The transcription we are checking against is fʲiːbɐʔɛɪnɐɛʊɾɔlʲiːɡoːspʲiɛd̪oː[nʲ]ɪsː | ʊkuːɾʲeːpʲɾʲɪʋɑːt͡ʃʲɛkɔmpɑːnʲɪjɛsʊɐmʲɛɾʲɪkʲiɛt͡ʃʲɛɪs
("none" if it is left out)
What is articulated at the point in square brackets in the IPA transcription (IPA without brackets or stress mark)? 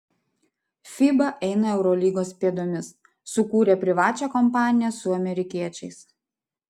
mʲ